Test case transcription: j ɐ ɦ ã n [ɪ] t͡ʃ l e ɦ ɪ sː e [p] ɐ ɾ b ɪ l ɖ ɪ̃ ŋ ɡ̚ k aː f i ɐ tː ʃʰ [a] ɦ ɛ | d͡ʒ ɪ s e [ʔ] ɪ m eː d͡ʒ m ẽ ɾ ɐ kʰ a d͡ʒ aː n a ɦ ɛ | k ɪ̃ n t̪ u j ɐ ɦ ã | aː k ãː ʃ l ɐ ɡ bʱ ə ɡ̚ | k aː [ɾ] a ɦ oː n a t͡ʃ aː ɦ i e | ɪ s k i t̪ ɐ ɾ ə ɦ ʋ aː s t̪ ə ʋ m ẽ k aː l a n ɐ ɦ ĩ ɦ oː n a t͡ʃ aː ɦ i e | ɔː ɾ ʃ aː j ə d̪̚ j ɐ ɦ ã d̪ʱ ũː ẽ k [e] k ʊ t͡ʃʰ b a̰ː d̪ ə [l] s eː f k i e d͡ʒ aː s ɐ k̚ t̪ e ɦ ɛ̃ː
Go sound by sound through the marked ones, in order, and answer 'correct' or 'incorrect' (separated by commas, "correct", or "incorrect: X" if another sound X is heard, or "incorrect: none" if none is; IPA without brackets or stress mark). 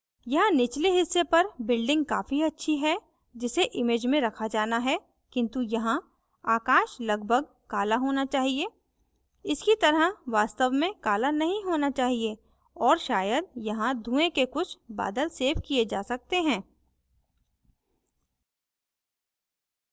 correct, correct, incorrect: i, correct, incorrect: l, correct, correct